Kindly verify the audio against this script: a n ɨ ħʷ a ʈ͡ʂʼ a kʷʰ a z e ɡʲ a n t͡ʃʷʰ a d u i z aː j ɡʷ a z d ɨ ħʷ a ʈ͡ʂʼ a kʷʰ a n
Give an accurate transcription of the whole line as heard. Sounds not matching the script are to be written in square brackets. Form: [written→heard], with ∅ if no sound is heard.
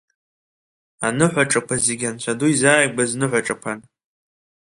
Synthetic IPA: a n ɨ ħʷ a ʈ͡ʂʼ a kʷʰ a z e ɡʲ a n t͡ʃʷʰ a d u i z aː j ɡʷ a z [d→n] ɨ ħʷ a ʈ͡ʂʼ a kʷʰ a n